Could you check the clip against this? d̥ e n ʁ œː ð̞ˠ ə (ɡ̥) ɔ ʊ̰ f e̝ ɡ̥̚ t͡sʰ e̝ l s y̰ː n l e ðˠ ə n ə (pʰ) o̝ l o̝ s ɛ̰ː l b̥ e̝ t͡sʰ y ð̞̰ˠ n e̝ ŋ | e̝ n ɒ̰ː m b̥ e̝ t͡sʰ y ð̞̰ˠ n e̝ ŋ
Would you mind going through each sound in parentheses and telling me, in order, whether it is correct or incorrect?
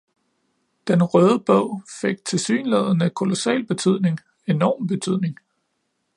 incorrect: b̥, incorrect: kʰ

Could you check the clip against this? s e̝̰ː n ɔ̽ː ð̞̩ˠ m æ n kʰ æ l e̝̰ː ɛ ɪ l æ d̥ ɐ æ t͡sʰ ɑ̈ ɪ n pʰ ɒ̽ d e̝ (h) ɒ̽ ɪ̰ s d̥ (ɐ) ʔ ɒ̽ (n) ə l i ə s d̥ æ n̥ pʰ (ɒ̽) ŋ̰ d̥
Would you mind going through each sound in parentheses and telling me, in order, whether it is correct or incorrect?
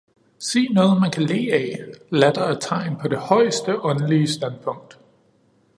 correct, incorrect: ə, correct, incorrect: ɔ̽

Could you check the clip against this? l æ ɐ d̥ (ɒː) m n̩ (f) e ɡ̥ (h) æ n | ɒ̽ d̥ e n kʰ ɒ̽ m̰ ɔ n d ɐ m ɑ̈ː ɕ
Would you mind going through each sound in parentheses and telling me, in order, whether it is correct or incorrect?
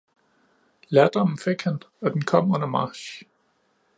incorrect: ɒ, correct, correct

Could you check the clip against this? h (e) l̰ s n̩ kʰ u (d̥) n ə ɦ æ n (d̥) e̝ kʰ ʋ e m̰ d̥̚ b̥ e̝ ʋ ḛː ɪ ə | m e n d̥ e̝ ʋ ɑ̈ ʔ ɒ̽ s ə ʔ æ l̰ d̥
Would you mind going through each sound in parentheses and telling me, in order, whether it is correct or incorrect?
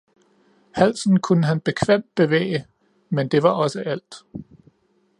incorrect: æ, incorrect: none, incorrect: b̥

